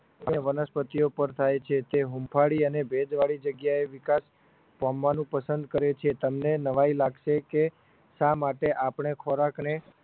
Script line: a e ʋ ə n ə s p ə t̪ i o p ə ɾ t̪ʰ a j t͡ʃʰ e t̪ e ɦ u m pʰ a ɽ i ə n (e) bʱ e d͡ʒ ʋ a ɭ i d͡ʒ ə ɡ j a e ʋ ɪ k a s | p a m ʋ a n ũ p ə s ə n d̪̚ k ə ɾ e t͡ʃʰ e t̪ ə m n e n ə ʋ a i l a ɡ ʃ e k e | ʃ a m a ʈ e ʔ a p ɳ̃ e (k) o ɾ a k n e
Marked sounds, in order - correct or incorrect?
correct, incorrect: kʰ

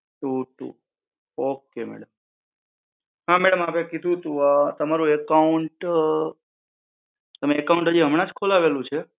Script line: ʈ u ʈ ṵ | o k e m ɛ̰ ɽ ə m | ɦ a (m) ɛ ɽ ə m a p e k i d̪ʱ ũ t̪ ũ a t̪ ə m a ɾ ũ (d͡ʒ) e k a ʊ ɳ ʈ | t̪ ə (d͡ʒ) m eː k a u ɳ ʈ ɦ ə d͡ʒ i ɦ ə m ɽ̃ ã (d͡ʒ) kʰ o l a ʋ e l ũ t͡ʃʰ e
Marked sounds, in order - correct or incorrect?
correct, incorrect: none, incorrect: none, correct

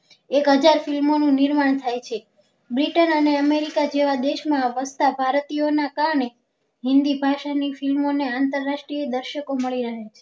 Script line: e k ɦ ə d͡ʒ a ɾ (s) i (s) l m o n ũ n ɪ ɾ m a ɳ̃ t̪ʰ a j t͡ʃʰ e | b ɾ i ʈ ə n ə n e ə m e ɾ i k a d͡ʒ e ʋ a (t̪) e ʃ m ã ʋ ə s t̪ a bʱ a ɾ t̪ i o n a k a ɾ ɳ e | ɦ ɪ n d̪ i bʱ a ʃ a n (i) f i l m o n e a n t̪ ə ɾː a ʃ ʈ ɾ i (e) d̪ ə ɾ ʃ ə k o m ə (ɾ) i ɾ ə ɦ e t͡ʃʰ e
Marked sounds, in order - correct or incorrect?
incorrect: f, incorrect: none, incorrect: d̪, correct, correct, incorrect: ɭ

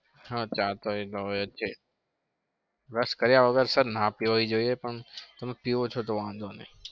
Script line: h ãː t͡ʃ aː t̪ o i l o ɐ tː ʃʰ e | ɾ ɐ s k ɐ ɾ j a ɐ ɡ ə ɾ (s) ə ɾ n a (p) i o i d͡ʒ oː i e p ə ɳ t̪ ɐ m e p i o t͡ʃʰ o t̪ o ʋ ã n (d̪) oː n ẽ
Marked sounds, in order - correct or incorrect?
correct, correct, correct

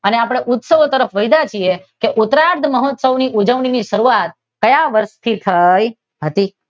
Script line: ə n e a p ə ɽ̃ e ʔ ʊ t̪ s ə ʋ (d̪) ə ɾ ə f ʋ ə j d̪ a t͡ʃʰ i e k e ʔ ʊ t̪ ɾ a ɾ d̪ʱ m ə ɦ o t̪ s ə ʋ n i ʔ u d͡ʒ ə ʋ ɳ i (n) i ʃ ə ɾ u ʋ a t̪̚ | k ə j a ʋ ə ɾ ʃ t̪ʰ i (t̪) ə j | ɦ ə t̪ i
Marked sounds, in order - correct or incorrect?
incorrect: t̪, correct, incorrect: t̪ʰ

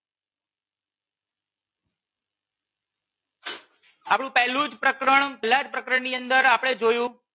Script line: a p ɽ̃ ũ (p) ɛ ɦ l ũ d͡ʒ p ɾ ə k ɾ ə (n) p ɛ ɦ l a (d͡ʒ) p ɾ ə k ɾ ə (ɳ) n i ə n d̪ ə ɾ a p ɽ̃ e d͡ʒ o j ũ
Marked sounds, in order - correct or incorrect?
correct, incorrect: ɳ, correct, correct

